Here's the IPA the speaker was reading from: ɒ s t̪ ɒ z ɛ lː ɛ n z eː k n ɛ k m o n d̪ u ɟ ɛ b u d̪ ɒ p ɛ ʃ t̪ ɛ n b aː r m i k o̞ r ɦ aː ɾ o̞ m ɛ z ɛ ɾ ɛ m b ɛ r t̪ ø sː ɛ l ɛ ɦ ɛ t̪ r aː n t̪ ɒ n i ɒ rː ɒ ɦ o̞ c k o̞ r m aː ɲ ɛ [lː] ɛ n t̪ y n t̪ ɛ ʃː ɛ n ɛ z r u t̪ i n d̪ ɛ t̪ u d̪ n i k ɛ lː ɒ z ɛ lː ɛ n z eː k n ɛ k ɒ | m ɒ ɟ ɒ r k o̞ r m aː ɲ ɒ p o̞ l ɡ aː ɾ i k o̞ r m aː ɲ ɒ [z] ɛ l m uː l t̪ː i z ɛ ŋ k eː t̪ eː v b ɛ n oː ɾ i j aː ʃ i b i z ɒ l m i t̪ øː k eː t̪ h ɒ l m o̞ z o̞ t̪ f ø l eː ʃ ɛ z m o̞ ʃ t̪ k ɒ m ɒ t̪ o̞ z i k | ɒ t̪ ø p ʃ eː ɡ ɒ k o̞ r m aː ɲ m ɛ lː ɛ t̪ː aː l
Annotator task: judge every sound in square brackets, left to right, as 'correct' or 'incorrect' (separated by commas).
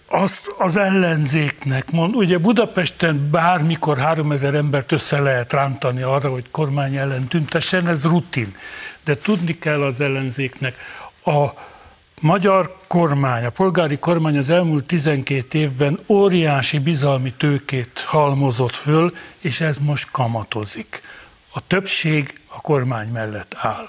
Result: correct, correct